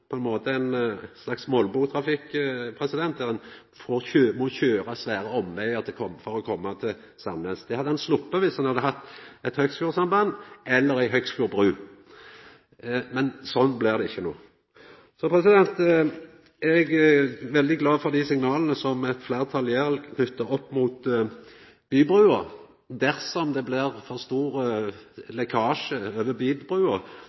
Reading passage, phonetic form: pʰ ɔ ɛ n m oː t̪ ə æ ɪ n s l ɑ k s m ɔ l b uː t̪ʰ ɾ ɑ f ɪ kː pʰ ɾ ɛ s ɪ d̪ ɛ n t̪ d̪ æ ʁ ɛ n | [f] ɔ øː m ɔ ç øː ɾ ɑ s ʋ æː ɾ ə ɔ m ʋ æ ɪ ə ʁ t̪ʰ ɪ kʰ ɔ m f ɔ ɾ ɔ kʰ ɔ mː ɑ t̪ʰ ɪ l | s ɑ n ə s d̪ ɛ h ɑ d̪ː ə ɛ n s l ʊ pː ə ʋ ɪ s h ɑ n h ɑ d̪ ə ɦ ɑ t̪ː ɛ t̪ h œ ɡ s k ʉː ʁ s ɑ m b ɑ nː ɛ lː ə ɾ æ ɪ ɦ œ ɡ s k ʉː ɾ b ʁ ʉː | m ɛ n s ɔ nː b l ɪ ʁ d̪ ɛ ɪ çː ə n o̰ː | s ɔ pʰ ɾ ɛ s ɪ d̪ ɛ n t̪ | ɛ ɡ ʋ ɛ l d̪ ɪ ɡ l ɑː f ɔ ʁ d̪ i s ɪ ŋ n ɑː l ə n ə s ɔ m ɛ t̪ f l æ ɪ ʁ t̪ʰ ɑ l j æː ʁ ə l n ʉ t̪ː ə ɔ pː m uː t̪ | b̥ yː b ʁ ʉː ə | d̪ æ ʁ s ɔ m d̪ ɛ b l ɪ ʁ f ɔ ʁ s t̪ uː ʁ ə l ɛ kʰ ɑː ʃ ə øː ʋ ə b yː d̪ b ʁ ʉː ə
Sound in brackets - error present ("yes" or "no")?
no